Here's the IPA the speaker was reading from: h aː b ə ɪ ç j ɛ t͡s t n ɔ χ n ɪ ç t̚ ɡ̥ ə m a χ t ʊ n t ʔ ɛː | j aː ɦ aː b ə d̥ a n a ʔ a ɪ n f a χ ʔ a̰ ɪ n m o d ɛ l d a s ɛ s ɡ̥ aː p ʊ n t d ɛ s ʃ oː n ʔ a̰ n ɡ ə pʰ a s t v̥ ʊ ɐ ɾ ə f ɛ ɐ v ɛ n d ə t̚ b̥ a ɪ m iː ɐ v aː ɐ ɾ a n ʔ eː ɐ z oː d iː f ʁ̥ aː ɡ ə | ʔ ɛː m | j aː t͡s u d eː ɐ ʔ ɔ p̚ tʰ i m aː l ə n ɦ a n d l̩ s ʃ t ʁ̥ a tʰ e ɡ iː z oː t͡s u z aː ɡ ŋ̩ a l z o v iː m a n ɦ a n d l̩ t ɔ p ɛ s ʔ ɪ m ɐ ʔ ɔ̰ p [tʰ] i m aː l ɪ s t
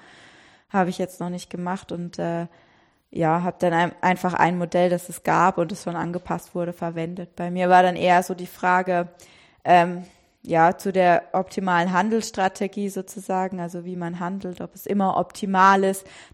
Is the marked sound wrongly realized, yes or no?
no